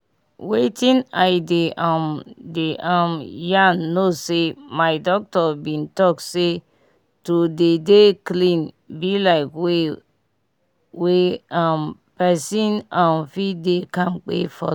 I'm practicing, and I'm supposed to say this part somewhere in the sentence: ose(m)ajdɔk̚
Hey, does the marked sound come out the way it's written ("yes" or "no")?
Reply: yes